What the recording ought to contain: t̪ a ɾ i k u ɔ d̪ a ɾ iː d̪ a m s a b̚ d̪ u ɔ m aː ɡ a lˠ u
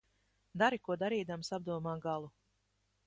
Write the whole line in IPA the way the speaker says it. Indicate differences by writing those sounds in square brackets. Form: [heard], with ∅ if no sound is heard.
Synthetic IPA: [d̪] a ɾ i k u ɔ d̪ a ɾ iː d̪ a m s a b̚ d̪ u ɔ m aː ɡ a lˠ u